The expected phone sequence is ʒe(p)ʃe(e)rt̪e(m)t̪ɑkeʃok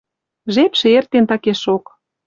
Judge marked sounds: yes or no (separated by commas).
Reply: yes, yes, no